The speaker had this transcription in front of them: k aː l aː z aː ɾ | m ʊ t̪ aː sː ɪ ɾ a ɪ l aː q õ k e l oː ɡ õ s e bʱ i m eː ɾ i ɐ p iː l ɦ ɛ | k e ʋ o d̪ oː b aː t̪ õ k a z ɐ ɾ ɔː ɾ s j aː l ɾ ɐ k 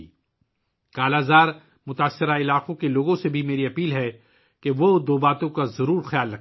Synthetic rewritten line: k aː l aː z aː ɾ | m ʊ t̪ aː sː ɪ ɾ a ɪ l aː q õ k e l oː ɡ õ s e bʱ i m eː ɾ i ɐ p iː l ɦ ɛ | k e ʋ o d̪ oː b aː t̪ õ k a z ɐ ɾ uː ɾ x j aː l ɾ ɐ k